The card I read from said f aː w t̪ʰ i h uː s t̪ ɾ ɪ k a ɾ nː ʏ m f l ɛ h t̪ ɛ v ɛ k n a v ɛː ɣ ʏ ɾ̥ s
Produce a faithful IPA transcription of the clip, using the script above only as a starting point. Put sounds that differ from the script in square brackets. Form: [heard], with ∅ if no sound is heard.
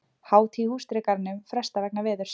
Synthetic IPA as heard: [h] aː w t̪ʰ i h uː s t̪ ɾ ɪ k a ɾ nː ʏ m f [ɾ] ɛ [s] t̪ [a] v ɛ k n a v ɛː [ð] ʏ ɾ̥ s